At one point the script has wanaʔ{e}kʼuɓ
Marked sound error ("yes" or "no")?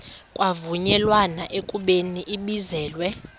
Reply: no